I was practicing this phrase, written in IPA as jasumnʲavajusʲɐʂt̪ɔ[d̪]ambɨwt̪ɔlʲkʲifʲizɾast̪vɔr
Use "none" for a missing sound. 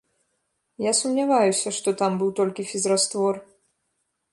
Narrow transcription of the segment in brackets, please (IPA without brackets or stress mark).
t̪